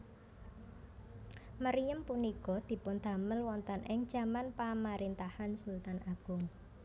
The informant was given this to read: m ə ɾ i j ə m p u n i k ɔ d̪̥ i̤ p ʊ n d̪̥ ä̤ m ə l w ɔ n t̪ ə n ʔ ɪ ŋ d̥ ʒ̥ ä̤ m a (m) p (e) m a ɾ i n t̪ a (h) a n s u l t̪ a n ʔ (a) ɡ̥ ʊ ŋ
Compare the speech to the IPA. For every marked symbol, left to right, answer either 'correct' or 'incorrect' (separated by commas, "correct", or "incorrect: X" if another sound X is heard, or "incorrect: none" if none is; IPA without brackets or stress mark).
incorrect: n, incorrect: a, correct, correct